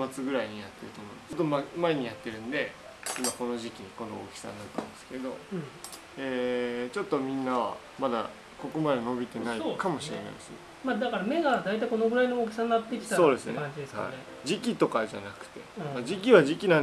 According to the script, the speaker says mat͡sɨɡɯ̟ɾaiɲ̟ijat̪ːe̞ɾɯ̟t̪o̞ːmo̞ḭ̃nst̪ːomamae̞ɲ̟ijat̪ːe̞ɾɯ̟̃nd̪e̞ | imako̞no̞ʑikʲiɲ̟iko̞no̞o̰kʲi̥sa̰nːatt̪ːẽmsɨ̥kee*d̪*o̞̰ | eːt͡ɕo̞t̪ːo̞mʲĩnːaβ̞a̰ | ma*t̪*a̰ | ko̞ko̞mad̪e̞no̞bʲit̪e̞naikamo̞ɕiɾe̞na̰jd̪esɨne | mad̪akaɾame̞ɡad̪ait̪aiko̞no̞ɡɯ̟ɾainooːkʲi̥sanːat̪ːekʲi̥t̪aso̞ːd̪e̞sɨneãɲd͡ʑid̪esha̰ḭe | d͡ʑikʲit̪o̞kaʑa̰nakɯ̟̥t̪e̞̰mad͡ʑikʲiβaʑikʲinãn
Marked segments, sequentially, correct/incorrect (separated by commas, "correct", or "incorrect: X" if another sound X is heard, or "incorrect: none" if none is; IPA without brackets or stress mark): correct, incorrect: d̪